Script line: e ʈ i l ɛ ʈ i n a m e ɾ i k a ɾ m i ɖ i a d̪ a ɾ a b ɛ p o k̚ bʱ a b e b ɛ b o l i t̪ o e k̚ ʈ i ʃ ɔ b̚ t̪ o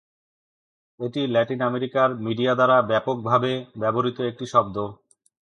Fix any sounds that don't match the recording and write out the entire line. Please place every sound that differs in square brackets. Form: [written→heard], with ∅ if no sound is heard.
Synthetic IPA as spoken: e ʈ i l ɛ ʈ i n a m e ɾ i k a ɾ m i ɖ i a d̪ a ɾ a b ɛ p o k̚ bʱ a b e b ɛ b o [l→ɾ] i t̪ o e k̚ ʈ i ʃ ɔ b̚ [t̪→d̪] o